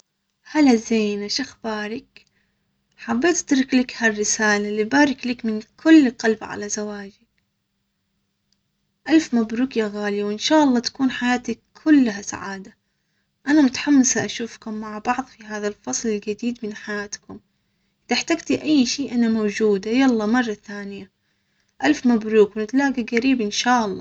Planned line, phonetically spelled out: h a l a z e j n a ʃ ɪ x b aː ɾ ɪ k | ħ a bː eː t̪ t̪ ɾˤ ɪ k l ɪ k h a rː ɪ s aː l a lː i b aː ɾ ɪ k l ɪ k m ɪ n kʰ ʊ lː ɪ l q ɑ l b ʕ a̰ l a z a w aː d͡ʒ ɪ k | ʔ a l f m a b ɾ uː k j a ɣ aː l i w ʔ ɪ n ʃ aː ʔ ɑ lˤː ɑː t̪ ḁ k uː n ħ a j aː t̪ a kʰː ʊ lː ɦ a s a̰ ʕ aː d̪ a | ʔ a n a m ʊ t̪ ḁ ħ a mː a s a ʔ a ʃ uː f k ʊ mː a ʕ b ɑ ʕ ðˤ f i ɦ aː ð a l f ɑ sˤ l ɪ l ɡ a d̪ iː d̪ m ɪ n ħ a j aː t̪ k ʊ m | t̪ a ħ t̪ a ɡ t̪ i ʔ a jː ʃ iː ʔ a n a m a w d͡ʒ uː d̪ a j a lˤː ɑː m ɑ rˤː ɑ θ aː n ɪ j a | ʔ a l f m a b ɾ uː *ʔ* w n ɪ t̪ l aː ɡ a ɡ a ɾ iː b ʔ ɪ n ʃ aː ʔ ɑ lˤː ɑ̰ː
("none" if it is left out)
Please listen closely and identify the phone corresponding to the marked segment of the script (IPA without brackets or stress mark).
k